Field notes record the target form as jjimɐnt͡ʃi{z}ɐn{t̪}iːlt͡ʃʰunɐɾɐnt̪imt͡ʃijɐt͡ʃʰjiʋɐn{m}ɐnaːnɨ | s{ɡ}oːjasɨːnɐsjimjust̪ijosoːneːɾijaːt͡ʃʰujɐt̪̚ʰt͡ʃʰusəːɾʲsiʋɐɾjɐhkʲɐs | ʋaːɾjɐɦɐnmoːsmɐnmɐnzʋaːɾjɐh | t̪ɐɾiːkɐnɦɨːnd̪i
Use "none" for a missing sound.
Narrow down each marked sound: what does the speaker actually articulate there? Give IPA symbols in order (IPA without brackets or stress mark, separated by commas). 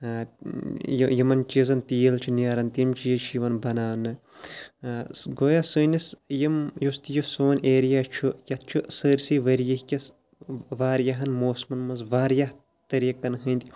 z, t̪, b, ɡ